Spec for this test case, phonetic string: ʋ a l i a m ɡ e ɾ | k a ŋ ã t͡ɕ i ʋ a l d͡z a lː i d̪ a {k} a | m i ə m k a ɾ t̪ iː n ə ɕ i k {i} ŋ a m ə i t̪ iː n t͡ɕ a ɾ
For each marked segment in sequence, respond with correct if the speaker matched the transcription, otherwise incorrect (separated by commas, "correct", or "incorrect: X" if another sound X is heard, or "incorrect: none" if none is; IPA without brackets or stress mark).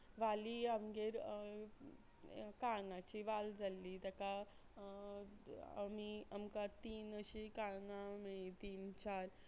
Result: correct, incorrect: a